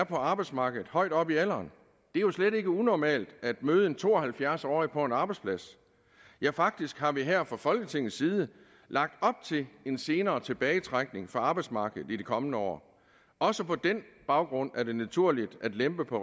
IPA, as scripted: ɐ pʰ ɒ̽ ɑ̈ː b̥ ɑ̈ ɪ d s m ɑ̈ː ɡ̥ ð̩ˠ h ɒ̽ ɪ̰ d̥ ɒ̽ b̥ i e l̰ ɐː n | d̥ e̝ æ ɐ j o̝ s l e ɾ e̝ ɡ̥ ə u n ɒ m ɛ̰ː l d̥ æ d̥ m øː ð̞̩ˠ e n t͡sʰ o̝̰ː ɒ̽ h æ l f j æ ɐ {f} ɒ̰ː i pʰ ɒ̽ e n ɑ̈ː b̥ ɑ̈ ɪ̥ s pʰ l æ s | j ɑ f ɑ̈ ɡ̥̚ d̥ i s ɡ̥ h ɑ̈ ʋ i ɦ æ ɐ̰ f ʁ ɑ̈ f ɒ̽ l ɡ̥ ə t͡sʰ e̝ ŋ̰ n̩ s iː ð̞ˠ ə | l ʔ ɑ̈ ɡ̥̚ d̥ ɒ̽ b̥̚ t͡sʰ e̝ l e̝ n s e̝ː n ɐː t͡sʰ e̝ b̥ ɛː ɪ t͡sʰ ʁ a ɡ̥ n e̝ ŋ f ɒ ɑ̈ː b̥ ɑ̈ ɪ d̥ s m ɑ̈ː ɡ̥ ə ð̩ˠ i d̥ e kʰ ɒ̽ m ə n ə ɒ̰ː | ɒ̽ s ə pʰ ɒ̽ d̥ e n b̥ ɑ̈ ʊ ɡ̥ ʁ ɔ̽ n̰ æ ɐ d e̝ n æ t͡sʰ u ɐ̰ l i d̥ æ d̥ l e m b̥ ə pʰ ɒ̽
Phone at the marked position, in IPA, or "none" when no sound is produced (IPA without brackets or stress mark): s